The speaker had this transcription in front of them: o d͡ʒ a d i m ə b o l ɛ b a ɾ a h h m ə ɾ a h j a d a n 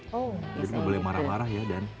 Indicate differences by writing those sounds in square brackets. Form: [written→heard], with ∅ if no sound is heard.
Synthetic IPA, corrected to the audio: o d͡ʒ a d i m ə b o l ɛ [b→m] a ɾ a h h m [ə→a] ɾ a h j a d a n